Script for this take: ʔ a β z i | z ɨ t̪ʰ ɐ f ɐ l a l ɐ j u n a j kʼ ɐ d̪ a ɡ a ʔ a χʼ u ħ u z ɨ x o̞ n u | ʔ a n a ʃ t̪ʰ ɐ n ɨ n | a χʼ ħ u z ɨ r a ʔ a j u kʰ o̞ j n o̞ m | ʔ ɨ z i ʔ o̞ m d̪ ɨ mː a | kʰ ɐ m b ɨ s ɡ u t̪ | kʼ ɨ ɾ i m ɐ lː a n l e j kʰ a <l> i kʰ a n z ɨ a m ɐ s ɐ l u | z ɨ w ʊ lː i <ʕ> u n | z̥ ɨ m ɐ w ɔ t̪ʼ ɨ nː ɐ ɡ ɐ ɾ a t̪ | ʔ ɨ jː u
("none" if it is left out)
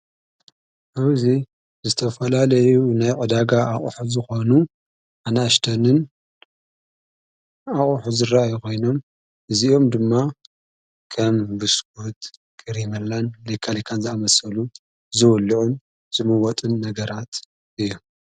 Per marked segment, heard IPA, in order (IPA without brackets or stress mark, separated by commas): l, ʕ